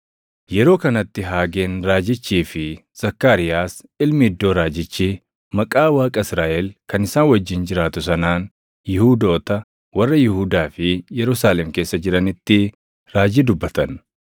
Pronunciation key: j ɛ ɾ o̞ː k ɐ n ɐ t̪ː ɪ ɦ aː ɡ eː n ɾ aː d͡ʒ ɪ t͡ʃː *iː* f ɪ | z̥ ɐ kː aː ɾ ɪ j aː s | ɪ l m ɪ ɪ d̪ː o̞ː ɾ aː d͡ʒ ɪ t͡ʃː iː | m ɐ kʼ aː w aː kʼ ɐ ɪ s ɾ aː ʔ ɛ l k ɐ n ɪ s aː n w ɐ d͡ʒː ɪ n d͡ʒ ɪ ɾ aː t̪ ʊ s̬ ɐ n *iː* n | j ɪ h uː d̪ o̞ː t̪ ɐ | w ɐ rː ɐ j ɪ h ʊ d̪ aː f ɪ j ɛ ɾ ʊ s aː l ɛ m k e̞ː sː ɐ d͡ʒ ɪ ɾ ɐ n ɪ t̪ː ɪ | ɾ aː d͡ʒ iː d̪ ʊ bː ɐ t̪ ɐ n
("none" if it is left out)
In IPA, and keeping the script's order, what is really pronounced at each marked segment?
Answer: iː, aː

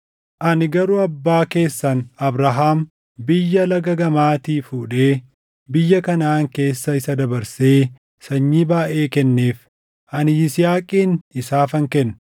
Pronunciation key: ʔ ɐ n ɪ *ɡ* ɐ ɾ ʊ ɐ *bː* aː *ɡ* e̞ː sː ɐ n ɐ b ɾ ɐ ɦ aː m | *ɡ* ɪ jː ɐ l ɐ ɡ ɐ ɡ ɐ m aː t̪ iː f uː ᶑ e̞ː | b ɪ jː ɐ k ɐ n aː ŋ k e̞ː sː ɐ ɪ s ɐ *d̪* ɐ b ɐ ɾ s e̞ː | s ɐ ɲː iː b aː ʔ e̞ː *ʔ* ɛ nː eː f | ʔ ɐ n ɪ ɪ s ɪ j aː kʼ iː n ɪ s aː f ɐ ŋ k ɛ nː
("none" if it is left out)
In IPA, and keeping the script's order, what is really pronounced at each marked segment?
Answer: ɡ, bː, k, b, d̪, k

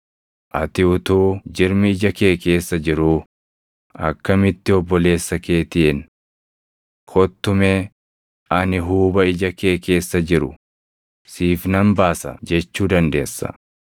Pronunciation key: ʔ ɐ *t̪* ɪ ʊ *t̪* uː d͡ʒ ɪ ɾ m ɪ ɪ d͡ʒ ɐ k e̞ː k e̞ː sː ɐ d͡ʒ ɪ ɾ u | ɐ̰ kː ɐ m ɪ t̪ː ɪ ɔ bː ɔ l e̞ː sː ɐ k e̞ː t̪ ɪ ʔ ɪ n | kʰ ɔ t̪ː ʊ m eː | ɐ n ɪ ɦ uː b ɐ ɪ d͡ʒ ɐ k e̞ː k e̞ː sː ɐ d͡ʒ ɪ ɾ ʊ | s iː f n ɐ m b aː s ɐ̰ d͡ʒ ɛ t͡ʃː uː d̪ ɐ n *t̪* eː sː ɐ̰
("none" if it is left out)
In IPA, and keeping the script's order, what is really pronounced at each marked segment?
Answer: t̪, t̪, d̪

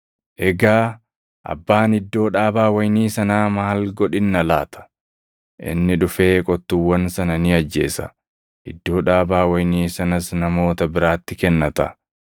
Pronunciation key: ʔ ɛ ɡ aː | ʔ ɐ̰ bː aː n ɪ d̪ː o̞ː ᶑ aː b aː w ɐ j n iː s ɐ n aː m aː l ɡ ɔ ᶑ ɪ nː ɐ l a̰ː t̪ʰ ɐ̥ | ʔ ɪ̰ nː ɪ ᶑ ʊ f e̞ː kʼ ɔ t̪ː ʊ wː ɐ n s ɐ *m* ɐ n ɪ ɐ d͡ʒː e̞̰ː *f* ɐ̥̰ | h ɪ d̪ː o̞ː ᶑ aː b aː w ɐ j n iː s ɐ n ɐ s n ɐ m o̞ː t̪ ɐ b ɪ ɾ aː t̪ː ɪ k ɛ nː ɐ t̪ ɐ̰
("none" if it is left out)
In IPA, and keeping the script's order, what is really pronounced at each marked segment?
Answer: n, s

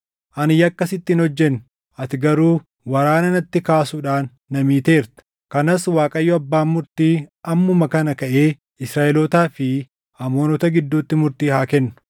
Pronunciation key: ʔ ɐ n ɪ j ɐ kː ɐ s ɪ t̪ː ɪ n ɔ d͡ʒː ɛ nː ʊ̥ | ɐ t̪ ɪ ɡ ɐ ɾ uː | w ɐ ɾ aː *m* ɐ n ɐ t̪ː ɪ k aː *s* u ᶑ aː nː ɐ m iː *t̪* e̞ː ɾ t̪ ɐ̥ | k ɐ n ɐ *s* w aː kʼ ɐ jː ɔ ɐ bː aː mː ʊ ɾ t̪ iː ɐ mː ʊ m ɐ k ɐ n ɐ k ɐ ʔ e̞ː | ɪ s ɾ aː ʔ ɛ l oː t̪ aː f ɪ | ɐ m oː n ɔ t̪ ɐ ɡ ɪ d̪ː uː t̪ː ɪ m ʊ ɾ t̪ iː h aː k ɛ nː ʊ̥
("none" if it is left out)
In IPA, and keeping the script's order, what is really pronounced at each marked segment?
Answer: n, s, t̪, s

